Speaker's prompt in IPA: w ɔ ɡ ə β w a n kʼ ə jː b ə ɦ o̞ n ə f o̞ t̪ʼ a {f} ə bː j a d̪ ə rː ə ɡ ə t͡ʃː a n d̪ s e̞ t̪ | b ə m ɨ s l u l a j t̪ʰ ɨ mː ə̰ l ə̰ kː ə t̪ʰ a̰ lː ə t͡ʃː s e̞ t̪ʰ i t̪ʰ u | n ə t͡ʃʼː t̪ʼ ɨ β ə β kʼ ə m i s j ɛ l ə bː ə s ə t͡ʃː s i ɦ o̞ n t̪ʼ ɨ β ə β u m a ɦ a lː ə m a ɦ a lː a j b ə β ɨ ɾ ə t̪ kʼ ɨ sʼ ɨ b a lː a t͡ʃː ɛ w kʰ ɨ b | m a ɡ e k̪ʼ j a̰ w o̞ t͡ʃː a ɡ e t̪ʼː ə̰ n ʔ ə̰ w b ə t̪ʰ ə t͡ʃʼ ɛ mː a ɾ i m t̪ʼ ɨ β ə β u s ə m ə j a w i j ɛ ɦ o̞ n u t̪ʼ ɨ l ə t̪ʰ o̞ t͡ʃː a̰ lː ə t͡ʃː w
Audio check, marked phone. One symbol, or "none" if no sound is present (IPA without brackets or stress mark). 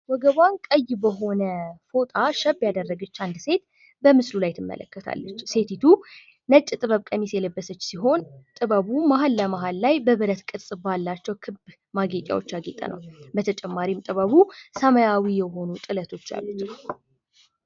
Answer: ʃ